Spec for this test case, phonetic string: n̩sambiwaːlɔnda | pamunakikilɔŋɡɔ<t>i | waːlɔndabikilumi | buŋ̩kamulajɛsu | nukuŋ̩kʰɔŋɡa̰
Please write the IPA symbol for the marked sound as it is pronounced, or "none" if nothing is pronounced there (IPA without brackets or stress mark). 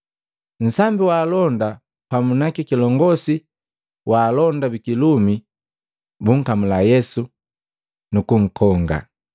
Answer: s